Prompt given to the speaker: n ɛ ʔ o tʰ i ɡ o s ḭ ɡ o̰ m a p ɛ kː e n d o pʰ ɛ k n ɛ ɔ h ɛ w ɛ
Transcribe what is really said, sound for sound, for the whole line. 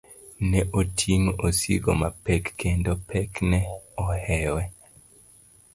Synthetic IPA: n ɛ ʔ o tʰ i ŋ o s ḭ ɡ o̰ m a p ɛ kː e n d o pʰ ɛ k n ɛ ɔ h ɛ w ɛ